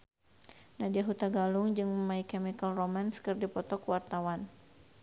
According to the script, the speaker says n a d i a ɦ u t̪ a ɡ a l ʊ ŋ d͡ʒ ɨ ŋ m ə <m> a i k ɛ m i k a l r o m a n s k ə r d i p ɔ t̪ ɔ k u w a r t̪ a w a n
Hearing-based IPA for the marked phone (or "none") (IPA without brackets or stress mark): m